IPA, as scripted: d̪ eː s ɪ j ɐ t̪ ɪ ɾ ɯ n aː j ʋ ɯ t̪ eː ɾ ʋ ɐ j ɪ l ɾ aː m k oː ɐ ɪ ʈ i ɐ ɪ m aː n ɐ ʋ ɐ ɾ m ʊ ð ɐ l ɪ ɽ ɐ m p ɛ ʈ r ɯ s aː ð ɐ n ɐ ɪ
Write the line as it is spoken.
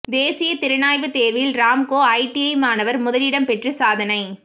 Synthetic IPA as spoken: d̪ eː s ɪ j ɐ t̪ ɪ ɾ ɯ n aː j ʋ ɯ t̪ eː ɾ ʋ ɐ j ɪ l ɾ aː m k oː ɐ ɪ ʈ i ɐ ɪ m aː n ɐ ʋ ɐ ɾ m ʊ ð ɐ l ɪ ɽ ɐ m p ɛ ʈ r ɯ s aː ð ɐ n ɐ ɪ